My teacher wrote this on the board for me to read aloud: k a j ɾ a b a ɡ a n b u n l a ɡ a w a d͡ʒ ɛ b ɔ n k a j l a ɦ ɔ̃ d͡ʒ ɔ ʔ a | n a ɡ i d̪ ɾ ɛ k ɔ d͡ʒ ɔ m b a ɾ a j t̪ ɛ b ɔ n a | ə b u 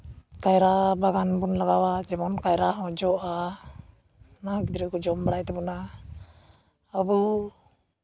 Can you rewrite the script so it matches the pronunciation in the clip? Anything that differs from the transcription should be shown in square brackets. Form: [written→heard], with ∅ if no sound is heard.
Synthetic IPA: k a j ɾ a b a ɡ a n b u n l a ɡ a w a d͡ʒ ɛ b ɔ n k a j [l→ɾ] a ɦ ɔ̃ d͡ʒ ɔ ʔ a | n a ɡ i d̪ ɾ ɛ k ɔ d͡ʒ ɔ m b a [ɾ→ɽ] a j t̪ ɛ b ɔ n a | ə b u